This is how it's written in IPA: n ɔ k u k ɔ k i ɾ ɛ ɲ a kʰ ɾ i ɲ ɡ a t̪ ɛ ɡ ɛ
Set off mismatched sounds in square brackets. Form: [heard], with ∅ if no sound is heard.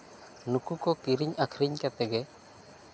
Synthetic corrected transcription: n [u] k u k ɔ k i ɾ [i] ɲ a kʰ ɾ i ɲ [k] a t̪ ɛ ɡ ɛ